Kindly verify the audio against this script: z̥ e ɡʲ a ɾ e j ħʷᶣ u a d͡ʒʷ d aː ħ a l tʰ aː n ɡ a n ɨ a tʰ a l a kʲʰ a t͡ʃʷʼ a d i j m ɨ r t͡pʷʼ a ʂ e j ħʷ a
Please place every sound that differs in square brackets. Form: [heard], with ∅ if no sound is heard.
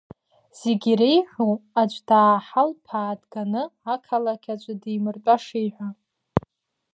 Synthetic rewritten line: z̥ e ɡʲ [i] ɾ e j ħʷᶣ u a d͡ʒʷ d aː ħ a l [pʰ] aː [d] ɡ a n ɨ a [kʰ] a l a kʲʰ a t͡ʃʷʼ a d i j m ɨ r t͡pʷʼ a ʂ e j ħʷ a